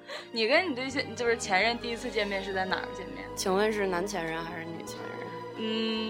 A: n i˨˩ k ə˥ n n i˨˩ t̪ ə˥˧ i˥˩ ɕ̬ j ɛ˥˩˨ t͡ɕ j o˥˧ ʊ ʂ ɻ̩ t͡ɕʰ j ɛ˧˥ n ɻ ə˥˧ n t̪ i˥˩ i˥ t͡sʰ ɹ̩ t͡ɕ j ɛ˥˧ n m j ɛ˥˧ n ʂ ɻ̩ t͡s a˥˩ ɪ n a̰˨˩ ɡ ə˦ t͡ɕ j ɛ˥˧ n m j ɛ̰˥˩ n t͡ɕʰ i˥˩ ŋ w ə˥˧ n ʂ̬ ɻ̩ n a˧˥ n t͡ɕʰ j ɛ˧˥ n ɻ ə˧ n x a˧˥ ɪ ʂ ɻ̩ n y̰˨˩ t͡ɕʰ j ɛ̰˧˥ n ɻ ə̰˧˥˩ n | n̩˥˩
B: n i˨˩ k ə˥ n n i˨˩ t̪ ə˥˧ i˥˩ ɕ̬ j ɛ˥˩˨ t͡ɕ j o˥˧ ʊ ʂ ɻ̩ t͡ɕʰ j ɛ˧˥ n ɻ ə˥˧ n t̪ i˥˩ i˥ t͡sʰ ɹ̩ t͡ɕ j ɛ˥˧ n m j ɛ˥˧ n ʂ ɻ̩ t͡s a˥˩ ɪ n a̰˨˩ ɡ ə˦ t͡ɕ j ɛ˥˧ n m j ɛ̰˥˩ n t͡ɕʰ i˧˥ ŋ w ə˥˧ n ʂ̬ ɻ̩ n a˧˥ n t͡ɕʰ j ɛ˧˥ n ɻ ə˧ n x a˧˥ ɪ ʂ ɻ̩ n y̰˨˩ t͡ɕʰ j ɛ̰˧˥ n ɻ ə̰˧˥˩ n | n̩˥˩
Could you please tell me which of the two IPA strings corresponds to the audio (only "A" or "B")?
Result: B